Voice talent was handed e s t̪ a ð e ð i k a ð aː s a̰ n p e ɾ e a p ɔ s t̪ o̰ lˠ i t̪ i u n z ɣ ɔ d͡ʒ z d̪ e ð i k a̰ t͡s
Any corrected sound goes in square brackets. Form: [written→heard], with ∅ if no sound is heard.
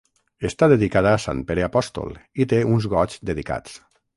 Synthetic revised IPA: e s t̪ a ð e ð i k a ð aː s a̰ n p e ɾ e a p ɔ s t̪ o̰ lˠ i t̪ [i→e] u n z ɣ ɔ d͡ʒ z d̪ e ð i k a̰ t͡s